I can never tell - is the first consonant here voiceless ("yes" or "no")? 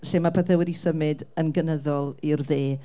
yes